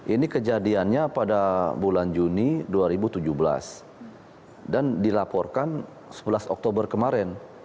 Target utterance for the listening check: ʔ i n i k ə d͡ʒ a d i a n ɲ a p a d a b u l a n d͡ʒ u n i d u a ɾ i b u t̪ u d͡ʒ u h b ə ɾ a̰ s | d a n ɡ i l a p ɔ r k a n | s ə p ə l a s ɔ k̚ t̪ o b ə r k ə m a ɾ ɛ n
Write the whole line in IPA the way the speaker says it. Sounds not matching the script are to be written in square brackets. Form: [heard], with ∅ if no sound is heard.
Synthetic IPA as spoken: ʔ i n i k ə d͡ʒ a d i a n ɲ a p a d a b u l a n d͡ʒ u n i d u a ɾ i b u t̪ u d͡ʒ u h b ə [l] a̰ s | d a n [d] i l a p ɔ r k a n | s ə [b] ə l a s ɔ k̚ t̪ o b ə r k ə m a ɾ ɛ n

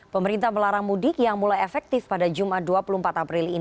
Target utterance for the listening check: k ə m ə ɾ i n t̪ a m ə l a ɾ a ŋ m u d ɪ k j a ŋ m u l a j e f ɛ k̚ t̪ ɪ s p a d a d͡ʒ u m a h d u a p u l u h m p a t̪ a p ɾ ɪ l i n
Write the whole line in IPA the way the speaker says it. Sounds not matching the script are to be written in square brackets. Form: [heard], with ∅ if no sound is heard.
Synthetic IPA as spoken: [p] ə m ə ɾ i n t̪ a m ə l a ɾ a ŋ m u d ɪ k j a ŋ m u l a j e f ɛ k̚ t̪ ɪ [f] p a d a d͡ʒ u m a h d u a p u l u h m p a t̪ a p ɾ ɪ l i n

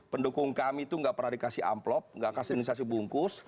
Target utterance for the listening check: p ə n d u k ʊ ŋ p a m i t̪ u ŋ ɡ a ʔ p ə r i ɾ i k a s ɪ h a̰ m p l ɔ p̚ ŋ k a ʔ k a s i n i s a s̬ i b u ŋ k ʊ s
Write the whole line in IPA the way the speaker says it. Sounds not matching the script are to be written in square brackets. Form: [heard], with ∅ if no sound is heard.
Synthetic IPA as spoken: p ə n d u k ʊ ŋ [k] a m i t̪ u ŋ ɡ a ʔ p ə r [a] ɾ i k a s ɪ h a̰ m p l ɔ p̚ ŋ [ɡ] a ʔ k a s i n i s a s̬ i b u ŋ k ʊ s

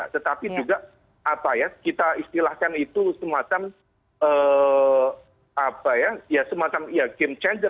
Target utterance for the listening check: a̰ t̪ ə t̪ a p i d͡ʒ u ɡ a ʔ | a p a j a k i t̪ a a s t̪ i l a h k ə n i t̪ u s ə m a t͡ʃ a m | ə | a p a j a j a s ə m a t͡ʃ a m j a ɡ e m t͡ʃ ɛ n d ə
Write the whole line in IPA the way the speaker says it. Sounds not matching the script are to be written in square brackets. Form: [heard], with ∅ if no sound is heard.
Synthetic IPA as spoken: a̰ t̪ ə t̪ a p i d͡ʒ u ɡ a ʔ | a p a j a k i t̪ a [i] s t̪ i l a h k [a] n i t̪ u s ə m a t͡ʃ a m | ə | a p a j a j a s ə m a t͡ʃ a m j a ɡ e m t͡ʃ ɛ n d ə

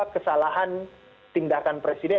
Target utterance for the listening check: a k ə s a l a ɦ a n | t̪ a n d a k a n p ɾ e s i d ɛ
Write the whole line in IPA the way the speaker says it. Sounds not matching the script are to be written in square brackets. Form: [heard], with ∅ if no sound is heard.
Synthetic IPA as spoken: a k ə s a l a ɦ a n | t̪ [i] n d a k a n p ɾ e s i d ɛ

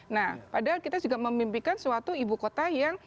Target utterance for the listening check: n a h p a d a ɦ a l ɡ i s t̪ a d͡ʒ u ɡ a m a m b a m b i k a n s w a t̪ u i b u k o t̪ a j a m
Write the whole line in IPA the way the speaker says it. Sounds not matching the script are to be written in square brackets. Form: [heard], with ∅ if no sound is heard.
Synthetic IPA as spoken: n a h p a d a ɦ a l [k] i [∅] t̪ a d͡ʒ u ɡ a m [ə] m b [i] m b i k a n s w a t̪ u i b u k o t̪ a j a [ŋ]

